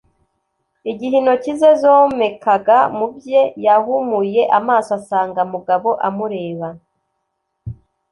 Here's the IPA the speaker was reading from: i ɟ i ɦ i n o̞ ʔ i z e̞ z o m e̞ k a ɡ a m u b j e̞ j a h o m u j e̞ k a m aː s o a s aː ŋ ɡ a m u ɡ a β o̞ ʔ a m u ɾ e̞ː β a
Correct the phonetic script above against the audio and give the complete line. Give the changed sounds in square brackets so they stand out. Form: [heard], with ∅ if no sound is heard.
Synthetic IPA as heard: i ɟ i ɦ i n o̞ [c] i z e̞ z o m e̞ k a ɡ a m u b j e̞ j a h [u] m u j e̞ [ʔ] a m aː s o a s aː ŋ ɡ a m u ɡ a β o̞ ʔ a m u ɾ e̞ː β a